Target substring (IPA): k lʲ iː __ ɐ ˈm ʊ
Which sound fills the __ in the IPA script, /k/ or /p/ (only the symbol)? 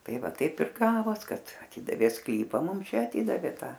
p